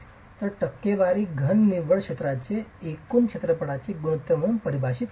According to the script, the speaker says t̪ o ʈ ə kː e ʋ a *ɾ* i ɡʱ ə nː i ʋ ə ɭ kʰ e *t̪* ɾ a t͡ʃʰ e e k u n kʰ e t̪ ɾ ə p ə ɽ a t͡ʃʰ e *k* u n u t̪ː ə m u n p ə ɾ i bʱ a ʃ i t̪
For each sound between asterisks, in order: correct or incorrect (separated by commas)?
correct, correct, incorrect